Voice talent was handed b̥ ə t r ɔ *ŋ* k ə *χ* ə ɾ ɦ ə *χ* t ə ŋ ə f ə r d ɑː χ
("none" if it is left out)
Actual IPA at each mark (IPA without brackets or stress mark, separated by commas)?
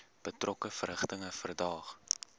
none, f, χ